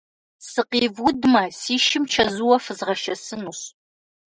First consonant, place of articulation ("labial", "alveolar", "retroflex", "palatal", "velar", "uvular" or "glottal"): alveolar